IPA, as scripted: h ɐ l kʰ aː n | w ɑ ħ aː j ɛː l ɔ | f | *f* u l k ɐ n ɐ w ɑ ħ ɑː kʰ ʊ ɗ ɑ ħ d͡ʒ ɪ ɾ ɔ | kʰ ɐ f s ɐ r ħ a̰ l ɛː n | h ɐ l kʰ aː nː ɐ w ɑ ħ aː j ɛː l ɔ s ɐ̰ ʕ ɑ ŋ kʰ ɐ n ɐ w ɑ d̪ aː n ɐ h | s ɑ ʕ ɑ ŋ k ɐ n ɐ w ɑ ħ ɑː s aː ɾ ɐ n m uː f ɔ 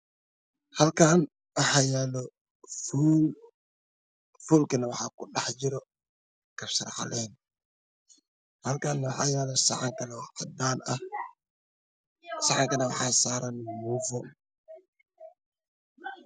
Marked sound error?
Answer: no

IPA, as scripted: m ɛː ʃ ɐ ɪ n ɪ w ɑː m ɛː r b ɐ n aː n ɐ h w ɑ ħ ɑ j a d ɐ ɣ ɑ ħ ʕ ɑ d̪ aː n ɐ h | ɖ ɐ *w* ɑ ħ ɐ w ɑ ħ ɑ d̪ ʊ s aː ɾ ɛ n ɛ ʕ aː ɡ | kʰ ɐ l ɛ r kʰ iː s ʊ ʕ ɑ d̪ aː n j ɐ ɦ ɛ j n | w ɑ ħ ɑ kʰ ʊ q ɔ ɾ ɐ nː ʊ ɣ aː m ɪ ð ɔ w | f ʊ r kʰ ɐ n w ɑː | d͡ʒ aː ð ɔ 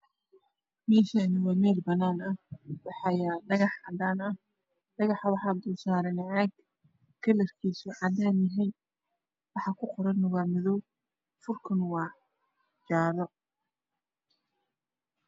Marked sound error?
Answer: yes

